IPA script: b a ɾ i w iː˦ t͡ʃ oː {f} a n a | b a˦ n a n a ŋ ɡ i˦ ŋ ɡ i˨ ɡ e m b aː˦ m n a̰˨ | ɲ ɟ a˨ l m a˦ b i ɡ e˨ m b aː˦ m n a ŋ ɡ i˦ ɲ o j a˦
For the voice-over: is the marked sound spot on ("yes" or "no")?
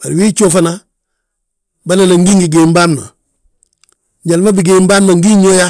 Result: yes